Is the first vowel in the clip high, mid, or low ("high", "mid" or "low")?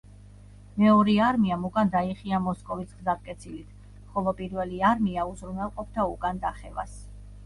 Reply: mid